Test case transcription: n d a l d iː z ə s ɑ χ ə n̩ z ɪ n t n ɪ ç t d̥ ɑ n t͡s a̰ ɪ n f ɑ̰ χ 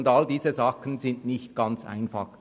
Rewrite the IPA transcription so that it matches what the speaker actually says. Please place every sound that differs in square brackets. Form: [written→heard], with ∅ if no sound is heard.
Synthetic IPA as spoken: n d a l d iː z ə [s→z] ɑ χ ə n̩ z ɪ n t n ɪ ç t [d̥→ɡ̥] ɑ n t͡s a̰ ɪ n f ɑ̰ χ